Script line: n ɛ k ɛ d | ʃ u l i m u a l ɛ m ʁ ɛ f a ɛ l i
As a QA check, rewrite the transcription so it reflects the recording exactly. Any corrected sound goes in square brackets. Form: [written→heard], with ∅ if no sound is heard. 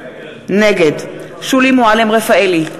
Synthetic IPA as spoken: n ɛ [k→ɡ] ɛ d | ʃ u l i m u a l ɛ m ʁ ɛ f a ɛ l i